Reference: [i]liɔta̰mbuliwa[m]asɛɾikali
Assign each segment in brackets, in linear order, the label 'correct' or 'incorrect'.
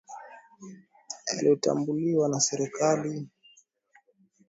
incorrect, incorrect

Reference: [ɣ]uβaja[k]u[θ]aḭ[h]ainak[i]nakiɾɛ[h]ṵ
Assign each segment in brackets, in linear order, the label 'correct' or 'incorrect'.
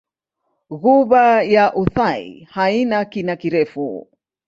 correct, incorrect, correct, correct, correct, incorrect

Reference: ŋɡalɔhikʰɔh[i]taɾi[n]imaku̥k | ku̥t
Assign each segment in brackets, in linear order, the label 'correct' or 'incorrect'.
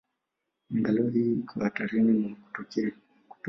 incorrect, correct

